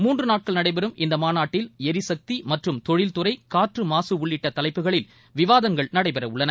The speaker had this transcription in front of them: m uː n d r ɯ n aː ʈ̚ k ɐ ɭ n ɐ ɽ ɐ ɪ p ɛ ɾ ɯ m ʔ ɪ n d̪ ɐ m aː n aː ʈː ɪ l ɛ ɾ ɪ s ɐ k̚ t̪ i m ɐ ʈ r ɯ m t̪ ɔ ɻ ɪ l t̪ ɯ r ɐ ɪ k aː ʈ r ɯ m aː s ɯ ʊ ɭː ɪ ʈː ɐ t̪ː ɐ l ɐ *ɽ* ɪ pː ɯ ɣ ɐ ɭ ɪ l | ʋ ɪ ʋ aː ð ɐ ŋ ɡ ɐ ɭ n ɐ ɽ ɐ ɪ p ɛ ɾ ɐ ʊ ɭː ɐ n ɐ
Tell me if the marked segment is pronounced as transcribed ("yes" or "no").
no